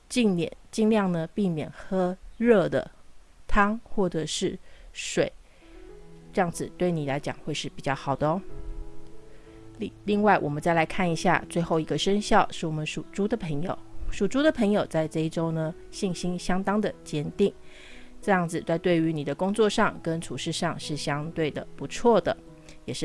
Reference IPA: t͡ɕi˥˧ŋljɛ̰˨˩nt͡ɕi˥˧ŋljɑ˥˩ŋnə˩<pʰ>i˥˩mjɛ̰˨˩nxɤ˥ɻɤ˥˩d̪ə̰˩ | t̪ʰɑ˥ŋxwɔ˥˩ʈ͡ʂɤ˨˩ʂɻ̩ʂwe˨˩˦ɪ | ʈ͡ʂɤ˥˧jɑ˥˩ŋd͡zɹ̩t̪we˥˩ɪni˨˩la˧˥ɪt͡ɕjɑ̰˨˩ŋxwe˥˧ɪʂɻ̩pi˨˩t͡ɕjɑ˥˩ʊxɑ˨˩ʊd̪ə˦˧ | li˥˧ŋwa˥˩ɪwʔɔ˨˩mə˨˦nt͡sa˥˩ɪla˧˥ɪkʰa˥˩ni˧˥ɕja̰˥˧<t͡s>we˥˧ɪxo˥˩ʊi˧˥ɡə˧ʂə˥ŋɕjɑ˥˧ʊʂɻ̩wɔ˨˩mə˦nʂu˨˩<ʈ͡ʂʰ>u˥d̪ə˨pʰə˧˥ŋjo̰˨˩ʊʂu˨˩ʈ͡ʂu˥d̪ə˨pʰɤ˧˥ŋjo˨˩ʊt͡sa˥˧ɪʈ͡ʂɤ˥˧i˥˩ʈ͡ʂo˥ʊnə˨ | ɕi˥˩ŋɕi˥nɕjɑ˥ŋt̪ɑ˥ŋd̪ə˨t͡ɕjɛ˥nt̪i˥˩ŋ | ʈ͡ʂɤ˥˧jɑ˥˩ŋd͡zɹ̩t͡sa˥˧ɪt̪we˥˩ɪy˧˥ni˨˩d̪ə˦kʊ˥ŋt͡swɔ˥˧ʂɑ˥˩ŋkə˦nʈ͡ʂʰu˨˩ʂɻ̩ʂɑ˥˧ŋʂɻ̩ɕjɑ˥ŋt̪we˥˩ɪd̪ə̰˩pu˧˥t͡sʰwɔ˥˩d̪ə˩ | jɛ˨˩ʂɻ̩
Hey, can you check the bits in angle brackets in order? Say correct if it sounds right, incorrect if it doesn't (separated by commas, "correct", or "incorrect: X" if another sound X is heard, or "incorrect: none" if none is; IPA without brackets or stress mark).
incorrect: p, correct, incorrect: ʈ͡ʂ